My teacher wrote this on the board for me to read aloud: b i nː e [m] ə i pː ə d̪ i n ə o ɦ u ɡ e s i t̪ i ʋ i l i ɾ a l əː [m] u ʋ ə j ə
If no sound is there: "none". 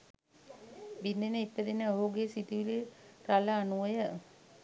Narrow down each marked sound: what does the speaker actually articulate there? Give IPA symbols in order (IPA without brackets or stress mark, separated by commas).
n, n